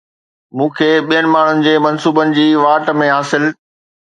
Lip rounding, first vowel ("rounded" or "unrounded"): rounded